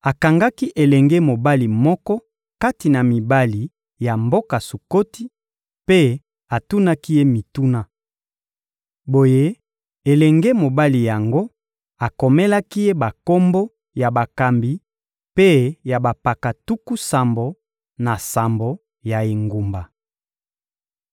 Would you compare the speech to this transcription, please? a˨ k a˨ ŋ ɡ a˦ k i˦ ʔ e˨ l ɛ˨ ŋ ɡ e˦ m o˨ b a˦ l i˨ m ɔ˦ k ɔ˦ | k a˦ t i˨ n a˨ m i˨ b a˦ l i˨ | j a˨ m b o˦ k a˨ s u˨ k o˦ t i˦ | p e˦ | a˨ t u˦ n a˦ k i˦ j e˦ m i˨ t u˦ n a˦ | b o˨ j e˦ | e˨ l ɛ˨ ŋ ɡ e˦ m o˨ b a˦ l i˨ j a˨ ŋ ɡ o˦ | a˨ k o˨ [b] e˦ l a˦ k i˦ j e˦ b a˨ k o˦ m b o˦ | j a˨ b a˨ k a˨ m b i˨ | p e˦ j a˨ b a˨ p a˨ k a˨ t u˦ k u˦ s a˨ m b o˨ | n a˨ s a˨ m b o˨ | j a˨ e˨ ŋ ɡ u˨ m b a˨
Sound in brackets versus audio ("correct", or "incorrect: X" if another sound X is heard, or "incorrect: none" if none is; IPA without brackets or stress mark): incorrect: m